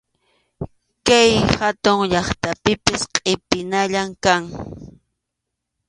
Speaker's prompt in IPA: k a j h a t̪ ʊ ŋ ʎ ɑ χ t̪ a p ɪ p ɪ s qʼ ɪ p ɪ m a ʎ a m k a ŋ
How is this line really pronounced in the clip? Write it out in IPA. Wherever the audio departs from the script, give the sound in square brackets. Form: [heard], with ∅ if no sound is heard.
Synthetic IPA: k a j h a t̪ ʊ ŋ ʎ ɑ χ t̪ a p ɪ p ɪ s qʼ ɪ p ɪ [n] a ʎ a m k a ŋ